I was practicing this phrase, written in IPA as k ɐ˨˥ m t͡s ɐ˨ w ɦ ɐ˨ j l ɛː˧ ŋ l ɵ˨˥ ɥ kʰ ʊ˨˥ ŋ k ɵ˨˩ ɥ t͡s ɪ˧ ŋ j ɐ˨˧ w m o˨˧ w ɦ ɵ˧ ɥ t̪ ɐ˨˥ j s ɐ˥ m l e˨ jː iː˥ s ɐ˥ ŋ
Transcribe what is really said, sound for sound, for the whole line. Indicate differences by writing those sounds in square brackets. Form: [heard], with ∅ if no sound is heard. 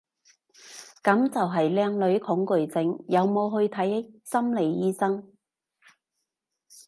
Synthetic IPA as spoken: k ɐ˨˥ m t͡s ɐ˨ w ɦ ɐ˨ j l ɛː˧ ŋ l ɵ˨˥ ɥ kʰ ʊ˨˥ ŋ k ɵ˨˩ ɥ t͡s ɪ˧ ŋ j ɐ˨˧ w m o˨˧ w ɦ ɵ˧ ɥ [t̪ʰ] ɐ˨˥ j s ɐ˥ m l e˨ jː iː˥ s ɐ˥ ŋ